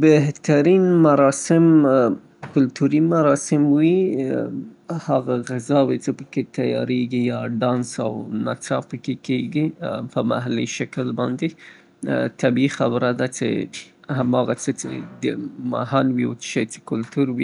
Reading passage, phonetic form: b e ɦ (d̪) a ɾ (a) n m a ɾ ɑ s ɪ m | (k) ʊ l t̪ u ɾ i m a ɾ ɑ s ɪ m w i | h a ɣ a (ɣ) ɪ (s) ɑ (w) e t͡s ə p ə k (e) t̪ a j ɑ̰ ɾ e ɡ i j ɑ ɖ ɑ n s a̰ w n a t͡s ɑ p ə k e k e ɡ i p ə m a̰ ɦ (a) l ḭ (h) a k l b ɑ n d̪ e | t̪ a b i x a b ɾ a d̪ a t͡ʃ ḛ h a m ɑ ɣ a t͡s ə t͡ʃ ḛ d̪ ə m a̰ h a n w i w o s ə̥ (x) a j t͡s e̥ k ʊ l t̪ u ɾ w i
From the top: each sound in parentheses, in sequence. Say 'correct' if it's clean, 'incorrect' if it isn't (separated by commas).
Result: incorrect, incorrect, correct, correct, incorrect, correct, correct, correct, incorrect, incorrect